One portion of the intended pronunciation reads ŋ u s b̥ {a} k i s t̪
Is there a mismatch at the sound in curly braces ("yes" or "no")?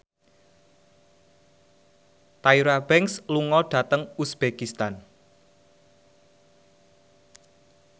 yes